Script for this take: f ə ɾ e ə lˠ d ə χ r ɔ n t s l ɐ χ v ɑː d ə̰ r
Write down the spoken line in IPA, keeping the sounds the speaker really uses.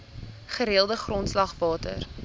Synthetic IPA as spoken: χ ə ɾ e ə lˠ d ə χ r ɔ n t s l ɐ χ v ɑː t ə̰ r